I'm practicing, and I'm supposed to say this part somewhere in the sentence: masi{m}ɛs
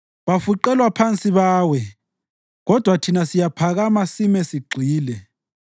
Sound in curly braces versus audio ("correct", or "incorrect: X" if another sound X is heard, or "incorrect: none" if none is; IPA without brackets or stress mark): correct